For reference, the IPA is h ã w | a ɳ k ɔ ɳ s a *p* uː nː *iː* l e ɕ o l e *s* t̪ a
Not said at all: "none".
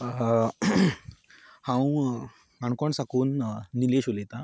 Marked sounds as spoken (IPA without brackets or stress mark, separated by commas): k, i, none